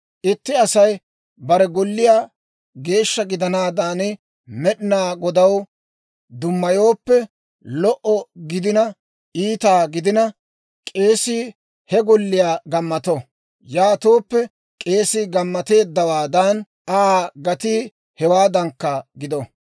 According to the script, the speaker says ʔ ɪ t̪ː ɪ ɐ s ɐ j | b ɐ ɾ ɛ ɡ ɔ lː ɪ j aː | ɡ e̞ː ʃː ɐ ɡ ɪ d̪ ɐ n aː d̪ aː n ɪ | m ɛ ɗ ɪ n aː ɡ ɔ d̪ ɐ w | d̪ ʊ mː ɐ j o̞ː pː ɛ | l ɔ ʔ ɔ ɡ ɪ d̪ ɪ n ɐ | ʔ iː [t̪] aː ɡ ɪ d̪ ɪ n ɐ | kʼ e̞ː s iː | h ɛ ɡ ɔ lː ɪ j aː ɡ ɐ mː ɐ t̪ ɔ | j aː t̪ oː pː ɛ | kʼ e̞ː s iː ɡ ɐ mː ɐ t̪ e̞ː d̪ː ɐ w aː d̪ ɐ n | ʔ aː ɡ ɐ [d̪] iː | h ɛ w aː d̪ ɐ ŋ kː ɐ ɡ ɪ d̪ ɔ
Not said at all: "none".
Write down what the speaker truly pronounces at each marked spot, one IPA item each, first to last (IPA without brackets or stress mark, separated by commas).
t̪, t̪